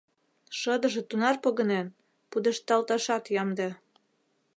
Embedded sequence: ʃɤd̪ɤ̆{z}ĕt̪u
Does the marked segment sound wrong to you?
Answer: yes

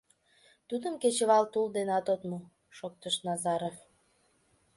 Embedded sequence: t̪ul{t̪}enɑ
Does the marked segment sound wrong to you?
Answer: yes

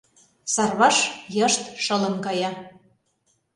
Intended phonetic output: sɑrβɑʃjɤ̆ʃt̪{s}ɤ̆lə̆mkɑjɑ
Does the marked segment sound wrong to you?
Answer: yes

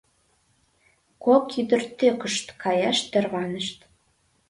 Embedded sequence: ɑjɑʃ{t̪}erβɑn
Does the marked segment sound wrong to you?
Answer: no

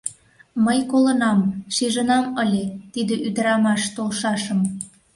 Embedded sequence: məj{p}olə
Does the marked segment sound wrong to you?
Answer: yes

